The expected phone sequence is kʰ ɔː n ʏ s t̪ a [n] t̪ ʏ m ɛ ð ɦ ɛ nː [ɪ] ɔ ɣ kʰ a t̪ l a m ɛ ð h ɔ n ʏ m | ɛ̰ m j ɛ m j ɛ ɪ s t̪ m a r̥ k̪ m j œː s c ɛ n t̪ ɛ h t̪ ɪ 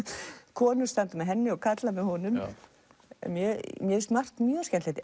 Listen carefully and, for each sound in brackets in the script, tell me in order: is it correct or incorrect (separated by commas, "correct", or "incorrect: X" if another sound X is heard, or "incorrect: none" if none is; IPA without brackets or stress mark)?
correct, correct